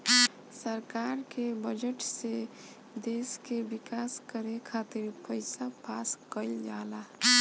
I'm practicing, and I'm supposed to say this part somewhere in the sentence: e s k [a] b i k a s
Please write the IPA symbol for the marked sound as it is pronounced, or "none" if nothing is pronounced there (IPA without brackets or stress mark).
e